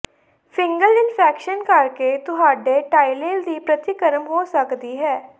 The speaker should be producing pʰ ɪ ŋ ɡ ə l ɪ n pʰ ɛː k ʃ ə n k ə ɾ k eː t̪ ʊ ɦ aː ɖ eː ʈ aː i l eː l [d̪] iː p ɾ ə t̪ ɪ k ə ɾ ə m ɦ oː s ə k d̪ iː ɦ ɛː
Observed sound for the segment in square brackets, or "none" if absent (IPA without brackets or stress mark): d̪